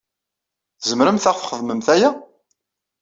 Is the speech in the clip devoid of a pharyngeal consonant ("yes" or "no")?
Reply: yes